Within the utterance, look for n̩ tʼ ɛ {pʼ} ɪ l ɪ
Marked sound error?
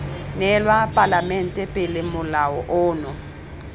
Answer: no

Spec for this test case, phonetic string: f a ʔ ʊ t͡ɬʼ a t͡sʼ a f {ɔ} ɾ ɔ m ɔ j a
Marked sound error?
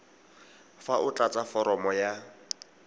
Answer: no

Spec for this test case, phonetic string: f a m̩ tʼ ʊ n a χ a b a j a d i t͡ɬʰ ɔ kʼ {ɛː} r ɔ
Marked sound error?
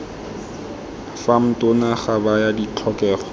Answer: no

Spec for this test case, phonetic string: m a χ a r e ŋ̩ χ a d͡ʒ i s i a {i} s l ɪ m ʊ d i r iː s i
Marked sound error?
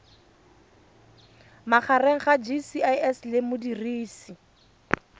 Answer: yes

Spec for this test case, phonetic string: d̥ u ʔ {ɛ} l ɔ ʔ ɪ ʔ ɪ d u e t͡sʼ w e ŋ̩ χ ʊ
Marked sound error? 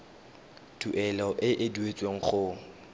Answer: no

